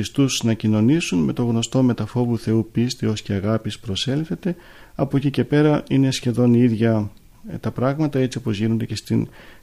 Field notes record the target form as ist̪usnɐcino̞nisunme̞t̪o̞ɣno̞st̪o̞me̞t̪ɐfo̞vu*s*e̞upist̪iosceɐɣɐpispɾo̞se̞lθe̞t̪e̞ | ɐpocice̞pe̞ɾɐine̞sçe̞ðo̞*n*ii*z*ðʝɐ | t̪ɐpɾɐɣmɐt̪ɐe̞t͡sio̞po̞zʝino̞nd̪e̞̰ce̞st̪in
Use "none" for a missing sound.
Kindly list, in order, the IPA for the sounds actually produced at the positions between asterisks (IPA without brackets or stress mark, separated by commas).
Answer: θ, n, none